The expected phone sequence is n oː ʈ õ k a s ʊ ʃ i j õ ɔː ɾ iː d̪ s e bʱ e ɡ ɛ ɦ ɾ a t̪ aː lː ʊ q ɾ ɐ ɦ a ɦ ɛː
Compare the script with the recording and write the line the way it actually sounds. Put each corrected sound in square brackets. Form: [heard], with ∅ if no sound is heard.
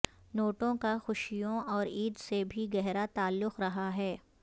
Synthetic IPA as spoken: n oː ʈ õ k a [x] ʊ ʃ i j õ ɔː ɾ iː d̪ s e bʱ [i] ɡ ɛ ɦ ɾ a t̪ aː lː ʊ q ɾ ɐ ɦ a ɦ ɛː